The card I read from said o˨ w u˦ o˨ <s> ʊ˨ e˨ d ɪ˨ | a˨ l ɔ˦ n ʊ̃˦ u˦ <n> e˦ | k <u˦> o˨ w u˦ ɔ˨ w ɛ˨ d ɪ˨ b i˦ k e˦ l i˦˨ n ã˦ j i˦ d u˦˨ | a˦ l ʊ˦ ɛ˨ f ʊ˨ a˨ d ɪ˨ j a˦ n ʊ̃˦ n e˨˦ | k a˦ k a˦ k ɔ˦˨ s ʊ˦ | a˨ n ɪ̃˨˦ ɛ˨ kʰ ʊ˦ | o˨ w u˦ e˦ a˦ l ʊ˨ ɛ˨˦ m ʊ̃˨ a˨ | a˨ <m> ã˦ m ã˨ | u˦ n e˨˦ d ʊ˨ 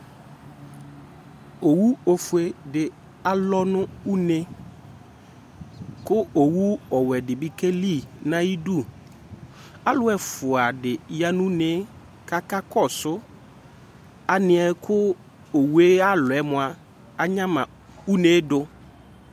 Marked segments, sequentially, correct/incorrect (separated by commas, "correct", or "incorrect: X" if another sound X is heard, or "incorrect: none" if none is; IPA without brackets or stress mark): incorrect: f, correct, incorrect: ʊ˦, incorrect: ɲ